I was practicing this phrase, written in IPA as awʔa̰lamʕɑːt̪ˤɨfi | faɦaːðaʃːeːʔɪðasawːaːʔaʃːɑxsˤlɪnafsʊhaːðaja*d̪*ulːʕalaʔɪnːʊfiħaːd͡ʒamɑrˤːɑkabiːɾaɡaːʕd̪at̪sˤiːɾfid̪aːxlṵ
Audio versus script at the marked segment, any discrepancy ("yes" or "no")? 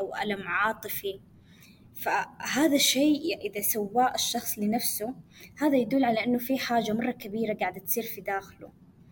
no